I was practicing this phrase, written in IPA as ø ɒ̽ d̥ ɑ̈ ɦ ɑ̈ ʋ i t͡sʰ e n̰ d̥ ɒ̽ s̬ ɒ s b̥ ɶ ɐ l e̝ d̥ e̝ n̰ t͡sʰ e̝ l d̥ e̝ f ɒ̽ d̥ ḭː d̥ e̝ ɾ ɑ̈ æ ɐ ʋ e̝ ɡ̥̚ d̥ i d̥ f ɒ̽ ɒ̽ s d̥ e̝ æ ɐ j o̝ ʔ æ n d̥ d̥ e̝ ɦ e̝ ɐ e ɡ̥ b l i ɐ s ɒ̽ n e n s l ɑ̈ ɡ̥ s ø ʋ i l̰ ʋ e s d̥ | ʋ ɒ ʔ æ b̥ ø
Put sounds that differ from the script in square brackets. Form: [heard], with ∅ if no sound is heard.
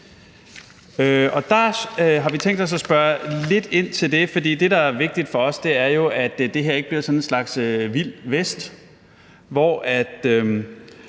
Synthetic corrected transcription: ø ɒ̽ d̥ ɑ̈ ɦ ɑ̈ ʋ i t͡sʰ e [ŋ̰] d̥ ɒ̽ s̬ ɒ s b̥ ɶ ɐ l e̝ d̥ e̝ n̰ t͡sʰ e̝ l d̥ e̝ f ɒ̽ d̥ ḭː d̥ e̝ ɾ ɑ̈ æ ɐ ʋ e̝ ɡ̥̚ d̥ i d̥ f ɒ̽ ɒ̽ s d̥ e̝ æ ɐ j o̝ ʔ æ [∅] d̥ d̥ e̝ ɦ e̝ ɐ e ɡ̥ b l i ɐ s ɒ̽ n e n s l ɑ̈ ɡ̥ s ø ʋ i l̰ ʋ e s d̥ | ʋ ɒ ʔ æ [d̥] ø